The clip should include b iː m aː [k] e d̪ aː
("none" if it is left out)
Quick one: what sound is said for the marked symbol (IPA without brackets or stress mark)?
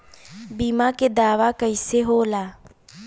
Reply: k